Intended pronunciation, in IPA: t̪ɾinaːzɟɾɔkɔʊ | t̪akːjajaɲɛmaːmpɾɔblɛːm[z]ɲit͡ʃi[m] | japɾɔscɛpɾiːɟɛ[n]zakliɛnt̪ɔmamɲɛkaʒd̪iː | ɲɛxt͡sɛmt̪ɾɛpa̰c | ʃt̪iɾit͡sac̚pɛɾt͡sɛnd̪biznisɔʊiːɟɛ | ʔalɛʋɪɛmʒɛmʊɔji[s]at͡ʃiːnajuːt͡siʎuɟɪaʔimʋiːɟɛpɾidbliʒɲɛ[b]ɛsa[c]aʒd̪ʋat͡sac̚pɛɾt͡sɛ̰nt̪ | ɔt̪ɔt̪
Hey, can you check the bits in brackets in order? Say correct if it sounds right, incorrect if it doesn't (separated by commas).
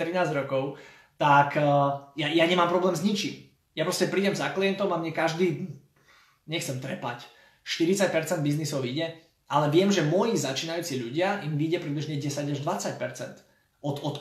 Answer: correct, correct, incorrect, incorrect, incorrect, incorrect